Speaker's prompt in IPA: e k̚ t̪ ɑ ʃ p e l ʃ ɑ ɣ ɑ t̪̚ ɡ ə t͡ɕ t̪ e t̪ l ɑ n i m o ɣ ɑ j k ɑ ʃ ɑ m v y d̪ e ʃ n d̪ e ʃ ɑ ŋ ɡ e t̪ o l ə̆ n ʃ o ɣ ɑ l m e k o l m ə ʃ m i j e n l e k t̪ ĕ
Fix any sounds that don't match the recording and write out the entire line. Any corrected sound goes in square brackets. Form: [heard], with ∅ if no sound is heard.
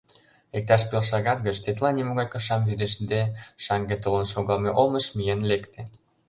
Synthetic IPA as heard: e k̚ t̪ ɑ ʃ p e l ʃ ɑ ɣ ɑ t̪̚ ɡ ə t͡ɕ t̪ e t̪ l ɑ n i m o ɣ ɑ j k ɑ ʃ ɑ m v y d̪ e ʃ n d̪ e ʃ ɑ ŋ ɡ e t̪ o l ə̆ n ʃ o ɣ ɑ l m e [ʔ] o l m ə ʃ m i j e n l e k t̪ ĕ